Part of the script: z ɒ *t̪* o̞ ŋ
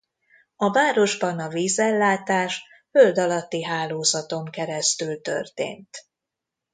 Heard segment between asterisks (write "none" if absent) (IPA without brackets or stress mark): t̪